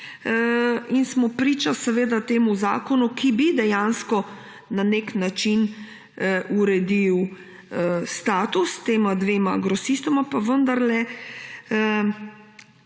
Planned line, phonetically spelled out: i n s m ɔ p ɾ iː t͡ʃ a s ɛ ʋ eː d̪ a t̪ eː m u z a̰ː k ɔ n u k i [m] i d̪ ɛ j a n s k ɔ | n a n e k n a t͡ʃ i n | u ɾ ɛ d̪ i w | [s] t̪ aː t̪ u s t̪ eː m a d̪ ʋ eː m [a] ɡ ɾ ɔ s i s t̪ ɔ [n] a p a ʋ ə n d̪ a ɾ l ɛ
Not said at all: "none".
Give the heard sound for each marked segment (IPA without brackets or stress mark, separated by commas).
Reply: b, s, a, m